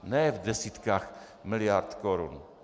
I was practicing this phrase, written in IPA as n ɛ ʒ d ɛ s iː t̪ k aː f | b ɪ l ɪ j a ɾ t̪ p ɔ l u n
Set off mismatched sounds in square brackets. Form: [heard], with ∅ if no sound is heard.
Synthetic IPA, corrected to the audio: n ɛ [v] d ɛ s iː t̪ k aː [x] | [m] ɪ l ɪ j a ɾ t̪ [k] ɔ [ɾ] u n